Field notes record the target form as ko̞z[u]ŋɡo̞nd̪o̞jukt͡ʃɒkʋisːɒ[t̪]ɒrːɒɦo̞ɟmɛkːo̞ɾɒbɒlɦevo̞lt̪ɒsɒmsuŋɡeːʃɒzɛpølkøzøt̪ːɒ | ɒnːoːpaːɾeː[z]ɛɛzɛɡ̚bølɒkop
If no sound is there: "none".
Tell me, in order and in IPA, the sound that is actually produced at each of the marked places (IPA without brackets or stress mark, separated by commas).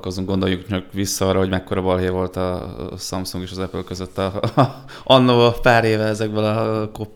u, none, v